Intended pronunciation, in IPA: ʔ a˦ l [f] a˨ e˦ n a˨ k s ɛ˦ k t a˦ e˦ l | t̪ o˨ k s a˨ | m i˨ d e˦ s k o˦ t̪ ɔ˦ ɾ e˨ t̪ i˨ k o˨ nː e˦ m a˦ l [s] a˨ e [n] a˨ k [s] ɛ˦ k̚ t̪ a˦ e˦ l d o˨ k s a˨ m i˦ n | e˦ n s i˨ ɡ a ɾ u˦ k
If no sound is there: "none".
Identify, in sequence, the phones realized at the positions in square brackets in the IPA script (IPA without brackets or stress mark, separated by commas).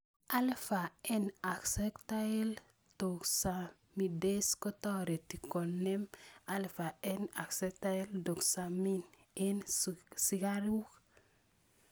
f, f, n, s